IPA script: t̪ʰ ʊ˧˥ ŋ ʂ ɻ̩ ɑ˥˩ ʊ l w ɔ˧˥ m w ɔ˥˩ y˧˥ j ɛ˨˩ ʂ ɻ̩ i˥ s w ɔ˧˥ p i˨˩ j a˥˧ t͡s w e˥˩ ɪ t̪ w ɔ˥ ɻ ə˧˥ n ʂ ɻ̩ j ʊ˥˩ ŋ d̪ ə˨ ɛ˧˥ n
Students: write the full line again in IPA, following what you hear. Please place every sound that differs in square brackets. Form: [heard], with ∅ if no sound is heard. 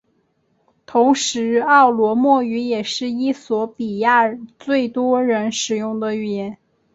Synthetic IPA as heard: t̪ʰ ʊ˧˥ ŋ ʂ ɻ̩ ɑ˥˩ ʊ l w ɔ˧˥ m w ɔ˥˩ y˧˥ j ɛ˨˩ ʂ ɻ̩ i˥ s w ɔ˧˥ p i˨˩ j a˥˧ t͡s w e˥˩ ɪ t̪ w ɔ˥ ɻ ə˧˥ n ʂ ɻ̩ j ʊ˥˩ ŋ d̪ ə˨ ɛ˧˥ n

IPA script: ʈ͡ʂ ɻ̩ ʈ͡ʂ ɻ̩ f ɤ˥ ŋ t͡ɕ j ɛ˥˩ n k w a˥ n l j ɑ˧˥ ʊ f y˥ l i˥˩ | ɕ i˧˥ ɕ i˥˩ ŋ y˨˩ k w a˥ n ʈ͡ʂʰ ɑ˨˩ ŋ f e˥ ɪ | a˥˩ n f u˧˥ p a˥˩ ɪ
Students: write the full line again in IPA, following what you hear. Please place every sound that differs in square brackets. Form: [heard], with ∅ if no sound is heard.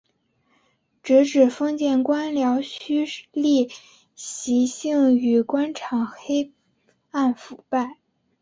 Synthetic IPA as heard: ʈ͡ʂ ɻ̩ ʈ͡ʂ ɻ̩ f ɤ˥ ŋ t͡ɕ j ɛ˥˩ n k w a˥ n l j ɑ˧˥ ʊ [ɕ] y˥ l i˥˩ | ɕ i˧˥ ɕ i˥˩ ŋ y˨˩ k w a˥ n ʈ͡ʂʰ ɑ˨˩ ŋ [x] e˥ ɪ | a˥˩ n f [u˨˩] p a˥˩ ɪ

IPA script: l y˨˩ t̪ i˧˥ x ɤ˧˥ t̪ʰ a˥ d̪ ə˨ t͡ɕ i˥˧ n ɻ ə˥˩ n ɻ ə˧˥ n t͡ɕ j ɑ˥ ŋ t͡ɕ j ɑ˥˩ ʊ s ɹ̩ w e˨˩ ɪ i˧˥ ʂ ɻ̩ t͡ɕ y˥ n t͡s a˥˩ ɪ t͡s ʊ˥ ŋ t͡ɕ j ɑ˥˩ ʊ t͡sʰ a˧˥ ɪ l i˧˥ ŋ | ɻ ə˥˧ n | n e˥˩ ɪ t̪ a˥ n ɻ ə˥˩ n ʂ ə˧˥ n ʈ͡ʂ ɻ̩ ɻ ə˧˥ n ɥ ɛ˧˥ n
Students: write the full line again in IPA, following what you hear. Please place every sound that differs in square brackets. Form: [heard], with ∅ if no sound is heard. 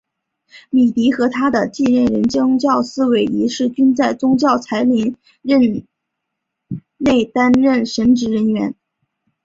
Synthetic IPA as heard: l [i˨˩] t̪ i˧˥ x ɤ˧˥ t̪ʰ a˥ d̪ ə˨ t͡ɕ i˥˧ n ɻ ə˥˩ n ɻ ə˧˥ n t͡ɕ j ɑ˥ ŋ t͡ɕ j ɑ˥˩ ʊ s ɹ̩ w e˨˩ ɪ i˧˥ ʂ ɻ̩ t͡ɕ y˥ n t͡s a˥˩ ɪ t͡s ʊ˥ ŋ t͡ɕ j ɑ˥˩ ʊ t͡sʰ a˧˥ ɪ l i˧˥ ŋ | ɻ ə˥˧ n | n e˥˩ ɪ t̪ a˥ n ɻ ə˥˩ n ʂ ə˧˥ n ʈ͡ʂ ɻ̩ ɻ ə˧˥ n ɥ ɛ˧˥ n

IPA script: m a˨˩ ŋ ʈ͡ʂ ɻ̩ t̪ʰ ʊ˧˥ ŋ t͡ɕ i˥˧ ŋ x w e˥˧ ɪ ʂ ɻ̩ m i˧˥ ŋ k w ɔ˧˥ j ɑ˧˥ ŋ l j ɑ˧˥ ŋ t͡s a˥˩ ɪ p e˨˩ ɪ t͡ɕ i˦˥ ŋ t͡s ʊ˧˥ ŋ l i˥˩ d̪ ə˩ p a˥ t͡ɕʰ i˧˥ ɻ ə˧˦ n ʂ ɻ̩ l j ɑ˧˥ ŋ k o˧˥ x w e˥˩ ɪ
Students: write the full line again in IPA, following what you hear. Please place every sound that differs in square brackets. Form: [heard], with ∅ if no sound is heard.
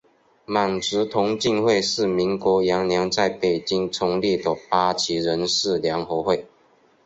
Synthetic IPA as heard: m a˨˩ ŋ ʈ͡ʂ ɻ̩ t̪ʰ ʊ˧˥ ŋ t͡ɕ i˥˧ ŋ x w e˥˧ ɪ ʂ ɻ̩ m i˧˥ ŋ k w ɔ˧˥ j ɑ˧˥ ŋ l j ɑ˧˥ ŋ t͡s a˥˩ ɪ p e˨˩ ɪ t͡ɕ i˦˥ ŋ [t͡sʰ] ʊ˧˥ ŋ l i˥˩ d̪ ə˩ p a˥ t͡ɕʰ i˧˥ ɻ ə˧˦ n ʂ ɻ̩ l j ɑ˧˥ ŋ [x] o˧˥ x w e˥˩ ɪ

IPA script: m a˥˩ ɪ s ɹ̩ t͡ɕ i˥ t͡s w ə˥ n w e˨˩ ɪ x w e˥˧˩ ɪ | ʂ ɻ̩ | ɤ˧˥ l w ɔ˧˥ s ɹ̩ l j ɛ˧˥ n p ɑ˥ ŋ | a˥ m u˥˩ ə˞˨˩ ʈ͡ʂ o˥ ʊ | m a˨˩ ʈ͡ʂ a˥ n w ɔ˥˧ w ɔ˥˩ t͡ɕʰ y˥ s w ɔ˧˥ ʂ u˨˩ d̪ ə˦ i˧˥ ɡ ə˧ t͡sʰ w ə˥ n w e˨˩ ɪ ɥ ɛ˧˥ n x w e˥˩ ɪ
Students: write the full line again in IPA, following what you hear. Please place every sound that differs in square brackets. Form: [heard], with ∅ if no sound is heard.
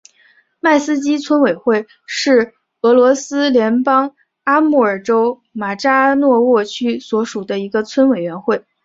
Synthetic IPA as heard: m a˥˩ ɪ s ɹ̩ t͡ɕ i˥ [t͡sʰ] w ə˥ n w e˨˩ ɪ x w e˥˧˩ ɪ | ʂ ɻ̩ | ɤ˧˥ l w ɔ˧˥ s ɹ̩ l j ɛ˧˥ n p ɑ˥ ŋ | a˥ m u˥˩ ə˞˨˩ ʈ͡ʂ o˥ ʊ | m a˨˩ ʈ͡ʂ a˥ n w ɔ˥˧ w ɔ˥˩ t͡ɕʰ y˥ s w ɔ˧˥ ʂ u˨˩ d̪ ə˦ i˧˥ ɡ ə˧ t͡sʰ w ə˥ n w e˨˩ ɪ ɥ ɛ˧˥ n x w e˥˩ ɪ

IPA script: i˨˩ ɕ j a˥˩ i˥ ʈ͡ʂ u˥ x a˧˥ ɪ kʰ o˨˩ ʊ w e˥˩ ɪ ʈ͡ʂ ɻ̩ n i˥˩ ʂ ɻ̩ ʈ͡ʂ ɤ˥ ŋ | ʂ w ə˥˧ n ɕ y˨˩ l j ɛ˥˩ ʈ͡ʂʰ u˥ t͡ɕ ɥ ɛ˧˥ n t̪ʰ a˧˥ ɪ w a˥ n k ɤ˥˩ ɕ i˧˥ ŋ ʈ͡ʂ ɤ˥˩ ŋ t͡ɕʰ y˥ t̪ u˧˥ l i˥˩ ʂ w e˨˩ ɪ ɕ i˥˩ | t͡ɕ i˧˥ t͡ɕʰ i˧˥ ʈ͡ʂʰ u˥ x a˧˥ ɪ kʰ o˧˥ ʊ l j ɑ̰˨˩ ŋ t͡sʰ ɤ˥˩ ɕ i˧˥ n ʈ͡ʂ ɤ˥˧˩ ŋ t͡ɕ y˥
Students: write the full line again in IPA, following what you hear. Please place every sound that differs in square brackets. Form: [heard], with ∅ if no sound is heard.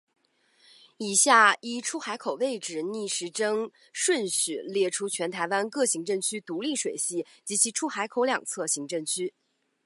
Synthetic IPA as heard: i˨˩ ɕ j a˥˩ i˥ [ʈ͡ʂʰ] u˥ x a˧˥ ɪ kʰ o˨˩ ʊ w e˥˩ ɪ ʈ͡ʂ ɻ̩ n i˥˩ ʂ ɻ̩ ʈ͡ʂ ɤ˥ ŋ | ʂ w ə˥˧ n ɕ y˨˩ l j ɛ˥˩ ʈ͡ʂʰ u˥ [t͡ɕʰ] ɥ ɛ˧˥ n t̪ʰ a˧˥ ɪ w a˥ n k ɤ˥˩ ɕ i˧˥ ŋ ʈ͡ʂ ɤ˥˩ ŋ t͡ɕʰ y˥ t̪ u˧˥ l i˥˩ ʂ w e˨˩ ɪ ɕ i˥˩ | t͡ɕ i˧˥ t͡ɕʰ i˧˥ ʈ͡ʂʰ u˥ x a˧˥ ɪ kʰ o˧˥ ʊ l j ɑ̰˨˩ ŋ t͡sʰ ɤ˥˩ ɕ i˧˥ [ŋ] ʈ͡ʂ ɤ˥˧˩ ŋ [t͡ɕʰ] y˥

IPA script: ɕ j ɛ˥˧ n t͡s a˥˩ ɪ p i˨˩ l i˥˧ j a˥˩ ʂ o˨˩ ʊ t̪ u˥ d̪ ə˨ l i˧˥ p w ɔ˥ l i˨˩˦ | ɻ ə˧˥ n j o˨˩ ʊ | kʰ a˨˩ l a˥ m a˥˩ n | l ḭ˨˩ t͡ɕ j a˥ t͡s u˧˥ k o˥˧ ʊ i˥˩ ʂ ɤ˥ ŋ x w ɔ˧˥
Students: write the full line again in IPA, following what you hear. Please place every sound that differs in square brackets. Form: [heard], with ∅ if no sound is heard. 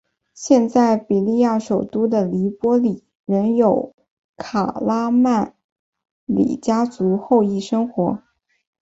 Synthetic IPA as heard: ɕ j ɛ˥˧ n t͡s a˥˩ ɪ p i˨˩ l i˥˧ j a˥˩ ʂ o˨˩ ʊ t̪ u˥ d̪ ə˨ l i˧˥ p w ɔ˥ l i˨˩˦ | ɻ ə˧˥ n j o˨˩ ʊ | kʰ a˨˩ l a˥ m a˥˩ n | l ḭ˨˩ t͡ɕ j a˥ t͡s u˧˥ [x] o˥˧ ʊ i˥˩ ʂ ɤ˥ ŋ x w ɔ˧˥

